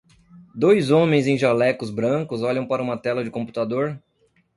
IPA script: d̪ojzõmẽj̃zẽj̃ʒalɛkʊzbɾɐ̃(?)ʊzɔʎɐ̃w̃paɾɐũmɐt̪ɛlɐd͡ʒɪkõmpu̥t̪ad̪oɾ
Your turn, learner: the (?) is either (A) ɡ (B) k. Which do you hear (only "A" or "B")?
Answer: B